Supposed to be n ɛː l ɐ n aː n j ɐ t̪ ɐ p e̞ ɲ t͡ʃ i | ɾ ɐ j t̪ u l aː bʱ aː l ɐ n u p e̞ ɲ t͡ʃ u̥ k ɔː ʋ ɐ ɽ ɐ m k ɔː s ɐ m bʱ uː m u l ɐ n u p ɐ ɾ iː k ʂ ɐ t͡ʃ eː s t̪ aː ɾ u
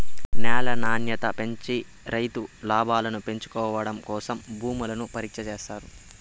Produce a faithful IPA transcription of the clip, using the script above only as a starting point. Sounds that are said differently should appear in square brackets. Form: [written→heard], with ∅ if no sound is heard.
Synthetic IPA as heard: n ɛː l ɐ n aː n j ɐ t̪ ɐ p e̞ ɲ t͡ʃ i | ɾ ɐ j t̪ u l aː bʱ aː l ɐ n u p e̞ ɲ t͡ʃ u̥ k ɔː ʋ ɐ ɽ ɐ m k ɔː s ɐ m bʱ uː m u l ɐ n u p ɐ ɾ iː k ʂ ɐ t͡ʃ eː s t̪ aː ɾ u